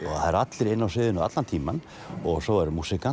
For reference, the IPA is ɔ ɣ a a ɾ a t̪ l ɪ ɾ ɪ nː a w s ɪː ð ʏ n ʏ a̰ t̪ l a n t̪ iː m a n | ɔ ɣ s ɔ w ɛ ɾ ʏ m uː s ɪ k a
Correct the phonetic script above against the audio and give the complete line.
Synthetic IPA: ɔ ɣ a a ɾ a t̪ l ɪ ɾ ɪ nː a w s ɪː ð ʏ n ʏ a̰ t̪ l a n t̪ʰ iː m a n | ɔ ɣ s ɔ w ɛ ɾ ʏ m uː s ɪ k a